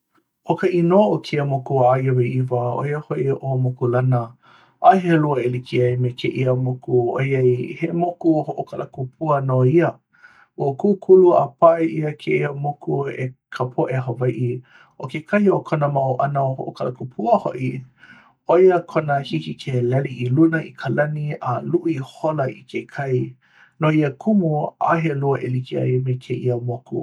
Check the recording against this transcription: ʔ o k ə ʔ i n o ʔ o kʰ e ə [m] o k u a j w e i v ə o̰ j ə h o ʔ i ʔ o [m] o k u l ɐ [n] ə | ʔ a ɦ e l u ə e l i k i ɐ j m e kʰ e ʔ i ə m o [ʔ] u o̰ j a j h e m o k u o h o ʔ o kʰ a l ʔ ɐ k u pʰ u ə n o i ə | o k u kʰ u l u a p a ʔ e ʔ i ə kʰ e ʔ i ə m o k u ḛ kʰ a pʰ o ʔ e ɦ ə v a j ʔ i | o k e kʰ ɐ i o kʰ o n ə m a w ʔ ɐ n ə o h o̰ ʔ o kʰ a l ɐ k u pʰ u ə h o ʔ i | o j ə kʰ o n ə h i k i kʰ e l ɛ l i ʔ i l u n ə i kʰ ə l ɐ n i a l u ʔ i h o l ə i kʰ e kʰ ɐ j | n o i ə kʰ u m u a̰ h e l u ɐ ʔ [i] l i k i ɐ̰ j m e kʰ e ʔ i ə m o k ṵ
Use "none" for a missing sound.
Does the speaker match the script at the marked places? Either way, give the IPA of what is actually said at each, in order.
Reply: m, m, n, k, e

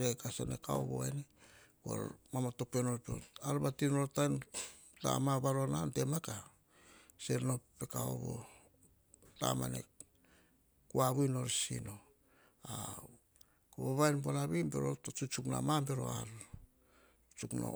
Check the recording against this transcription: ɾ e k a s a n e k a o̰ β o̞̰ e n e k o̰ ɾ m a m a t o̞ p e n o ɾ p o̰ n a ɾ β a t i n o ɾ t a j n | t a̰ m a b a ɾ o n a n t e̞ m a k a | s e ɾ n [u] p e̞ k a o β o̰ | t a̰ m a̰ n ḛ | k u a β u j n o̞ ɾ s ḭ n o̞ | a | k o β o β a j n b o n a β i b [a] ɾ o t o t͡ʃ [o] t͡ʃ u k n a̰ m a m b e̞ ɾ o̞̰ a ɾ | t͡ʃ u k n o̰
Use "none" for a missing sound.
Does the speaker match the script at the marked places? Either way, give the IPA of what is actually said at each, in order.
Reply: o, e, u

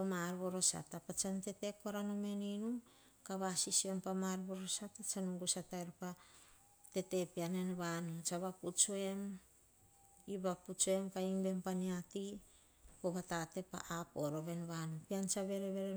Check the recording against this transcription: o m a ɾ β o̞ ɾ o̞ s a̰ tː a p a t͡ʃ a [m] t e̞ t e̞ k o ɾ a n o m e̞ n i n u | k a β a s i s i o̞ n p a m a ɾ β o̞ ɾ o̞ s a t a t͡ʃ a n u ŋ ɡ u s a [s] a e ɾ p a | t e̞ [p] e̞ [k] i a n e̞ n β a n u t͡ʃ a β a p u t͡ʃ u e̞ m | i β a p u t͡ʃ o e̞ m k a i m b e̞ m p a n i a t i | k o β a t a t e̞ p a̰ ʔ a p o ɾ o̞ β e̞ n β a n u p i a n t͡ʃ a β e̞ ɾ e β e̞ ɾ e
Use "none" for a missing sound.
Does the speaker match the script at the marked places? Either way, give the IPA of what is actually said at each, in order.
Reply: n, t, t, p

